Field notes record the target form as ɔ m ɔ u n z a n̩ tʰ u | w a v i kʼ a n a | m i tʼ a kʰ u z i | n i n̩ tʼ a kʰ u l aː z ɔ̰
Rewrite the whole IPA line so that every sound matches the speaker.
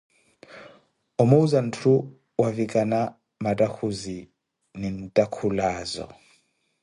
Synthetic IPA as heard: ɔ m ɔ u z a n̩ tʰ u | w a v i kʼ a n a | m a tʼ a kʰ u z i | n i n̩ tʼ a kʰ u l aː z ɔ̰